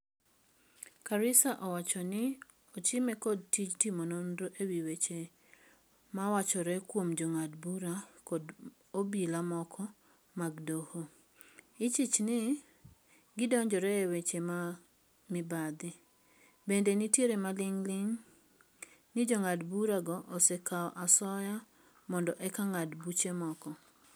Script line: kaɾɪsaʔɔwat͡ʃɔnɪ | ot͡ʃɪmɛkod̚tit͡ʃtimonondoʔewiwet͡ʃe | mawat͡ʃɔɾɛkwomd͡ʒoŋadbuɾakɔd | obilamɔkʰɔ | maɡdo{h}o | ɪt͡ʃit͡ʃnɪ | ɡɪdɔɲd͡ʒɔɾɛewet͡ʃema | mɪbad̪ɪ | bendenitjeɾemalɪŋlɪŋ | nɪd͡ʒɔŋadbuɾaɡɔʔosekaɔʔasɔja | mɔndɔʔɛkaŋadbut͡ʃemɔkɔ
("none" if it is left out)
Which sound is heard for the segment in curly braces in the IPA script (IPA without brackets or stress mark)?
h